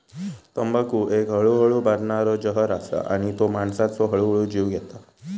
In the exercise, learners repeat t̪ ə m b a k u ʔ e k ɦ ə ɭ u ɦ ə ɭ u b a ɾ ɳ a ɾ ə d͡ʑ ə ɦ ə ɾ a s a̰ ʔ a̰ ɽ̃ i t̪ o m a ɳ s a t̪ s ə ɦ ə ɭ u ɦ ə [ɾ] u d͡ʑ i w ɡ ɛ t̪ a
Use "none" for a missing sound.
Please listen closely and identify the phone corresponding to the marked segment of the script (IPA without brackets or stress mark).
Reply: ɭ